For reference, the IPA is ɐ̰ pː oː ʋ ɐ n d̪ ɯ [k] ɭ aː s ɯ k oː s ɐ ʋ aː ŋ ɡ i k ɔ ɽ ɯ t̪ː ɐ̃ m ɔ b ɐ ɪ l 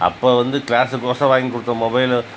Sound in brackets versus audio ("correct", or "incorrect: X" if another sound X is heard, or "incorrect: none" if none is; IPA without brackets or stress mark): correct